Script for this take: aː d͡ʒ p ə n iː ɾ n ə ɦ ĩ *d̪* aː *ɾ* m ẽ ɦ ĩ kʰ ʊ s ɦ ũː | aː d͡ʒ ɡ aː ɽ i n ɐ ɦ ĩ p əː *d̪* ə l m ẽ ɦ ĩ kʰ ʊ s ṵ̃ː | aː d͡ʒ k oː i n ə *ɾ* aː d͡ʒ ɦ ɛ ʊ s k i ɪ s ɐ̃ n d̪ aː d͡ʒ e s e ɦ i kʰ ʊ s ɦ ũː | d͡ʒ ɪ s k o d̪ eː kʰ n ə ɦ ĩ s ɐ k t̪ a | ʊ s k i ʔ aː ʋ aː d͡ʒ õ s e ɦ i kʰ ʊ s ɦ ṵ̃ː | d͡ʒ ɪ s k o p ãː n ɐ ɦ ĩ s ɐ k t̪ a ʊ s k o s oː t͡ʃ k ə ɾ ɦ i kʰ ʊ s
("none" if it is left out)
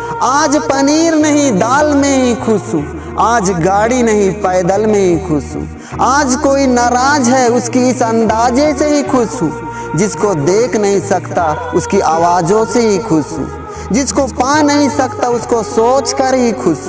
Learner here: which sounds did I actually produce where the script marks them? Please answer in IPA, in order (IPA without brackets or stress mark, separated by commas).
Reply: d̪, l, d̪, ɾ